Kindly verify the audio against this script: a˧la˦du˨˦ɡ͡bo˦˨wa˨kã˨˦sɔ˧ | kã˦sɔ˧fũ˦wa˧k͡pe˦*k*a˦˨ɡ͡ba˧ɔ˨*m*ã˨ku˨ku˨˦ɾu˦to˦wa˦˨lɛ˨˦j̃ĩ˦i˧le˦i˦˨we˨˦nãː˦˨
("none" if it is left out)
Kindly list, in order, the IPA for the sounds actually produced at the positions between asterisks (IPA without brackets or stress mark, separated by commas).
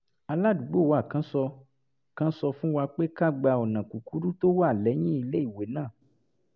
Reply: k, n